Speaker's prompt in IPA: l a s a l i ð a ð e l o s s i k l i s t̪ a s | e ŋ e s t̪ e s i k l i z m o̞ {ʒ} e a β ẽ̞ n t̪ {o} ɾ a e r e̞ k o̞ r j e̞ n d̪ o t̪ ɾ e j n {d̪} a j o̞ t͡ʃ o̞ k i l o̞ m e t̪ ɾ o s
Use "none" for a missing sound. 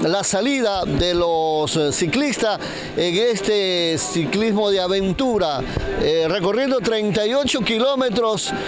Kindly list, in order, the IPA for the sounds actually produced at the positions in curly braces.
ð, u, t̪

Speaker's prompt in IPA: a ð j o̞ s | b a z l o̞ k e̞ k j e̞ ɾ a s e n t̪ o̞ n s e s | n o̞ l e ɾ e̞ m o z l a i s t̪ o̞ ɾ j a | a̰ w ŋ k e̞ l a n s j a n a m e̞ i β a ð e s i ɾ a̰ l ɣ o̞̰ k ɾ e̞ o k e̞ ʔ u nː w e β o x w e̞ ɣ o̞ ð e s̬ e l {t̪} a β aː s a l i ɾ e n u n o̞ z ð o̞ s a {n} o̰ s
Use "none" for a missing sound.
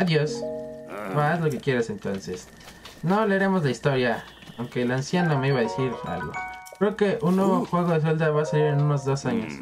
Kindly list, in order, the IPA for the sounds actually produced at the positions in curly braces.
d̪, ɲ

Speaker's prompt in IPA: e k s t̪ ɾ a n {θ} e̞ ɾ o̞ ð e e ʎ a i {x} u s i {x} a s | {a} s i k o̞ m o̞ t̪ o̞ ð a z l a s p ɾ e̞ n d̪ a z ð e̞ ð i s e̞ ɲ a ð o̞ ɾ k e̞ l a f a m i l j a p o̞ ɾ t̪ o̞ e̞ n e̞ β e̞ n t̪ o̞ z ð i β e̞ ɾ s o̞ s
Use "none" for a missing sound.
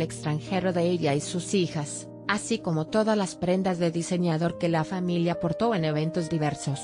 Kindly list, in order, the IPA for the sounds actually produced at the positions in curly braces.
x, s, x, a

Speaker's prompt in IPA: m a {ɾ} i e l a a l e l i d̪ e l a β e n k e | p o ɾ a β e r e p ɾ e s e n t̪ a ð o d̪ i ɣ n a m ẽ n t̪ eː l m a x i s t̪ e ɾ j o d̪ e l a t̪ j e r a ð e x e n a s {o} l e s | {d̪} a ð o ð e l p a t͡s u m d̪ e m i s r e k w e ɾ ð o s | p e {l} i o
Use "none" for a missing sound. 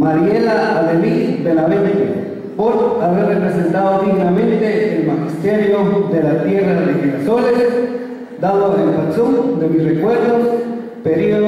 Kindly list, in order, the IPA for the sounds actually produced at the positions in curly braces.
ɾ, o, d̪, ɾ

